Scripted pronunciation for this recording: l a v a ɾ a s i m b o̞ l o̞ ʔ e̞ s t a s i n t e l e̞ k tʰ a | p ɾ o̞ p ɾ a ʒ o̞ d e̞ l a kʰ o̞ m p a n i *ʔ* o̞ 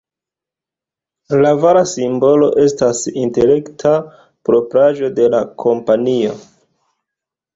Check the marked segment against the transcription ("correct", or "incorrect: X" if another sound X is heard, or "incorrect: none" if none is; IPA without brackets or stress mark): incorrect: none